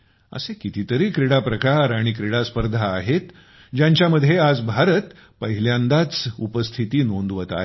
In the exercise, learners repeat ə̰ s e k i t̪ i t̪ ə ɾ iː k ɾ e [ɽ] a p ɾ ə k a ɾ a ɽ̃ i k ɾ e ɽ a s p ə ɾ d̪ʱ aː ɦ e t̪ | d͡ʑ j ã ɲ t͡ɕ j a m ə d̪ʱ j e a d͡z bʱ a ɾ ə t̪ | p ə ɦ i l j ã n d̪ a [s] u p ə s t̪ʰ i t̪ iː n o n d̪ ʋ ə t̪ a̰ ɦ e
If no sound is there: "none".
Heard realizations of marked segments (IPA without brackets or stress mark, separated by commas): ɽ, t͡s